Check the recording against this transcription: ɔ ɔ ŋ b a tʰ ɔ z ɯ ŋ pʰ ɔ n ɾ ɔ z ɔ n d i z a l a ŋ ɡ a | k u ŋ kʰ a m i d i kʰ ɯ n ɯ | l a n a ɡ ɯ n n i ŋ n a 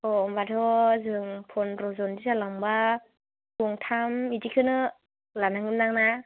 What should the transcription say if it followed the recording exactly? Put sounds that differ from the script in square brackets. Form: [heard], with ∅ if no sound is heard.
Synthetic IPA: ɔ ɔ [m] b a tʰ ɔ z ɯ ŋ pʰ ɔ n ɾ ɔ z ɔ n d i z a l a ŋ [b] a | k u ŋ [tʰ] a m i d i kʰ ɯ n ɯ | l a n a [ŋ] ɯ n n [a] ŋ n a